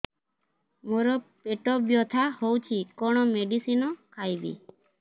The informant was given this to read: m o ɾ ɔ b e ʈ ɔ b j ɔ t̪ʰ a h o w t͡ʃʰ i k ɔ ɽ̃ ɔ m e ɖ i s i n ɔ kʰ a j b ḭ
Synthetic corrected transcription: m o ɾ ɔ p e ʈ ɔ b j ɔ t̪ʰ a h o w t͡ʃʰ i k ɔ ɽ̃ ɔ m e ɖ i s i n ɔ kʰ a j b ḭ